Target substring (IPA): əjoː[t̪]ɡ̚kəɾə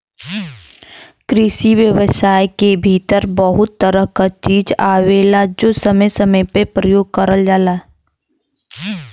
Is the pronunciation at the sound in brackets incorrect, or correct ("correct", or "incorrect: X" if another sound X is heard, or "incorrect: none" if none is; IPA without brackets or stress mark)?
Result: incorrect: none